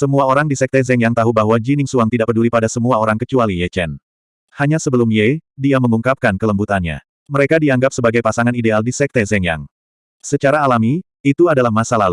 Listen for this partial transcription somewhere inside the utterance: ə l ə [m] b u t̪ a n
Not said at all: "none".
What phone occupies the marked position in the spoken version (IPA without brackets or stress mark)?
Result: m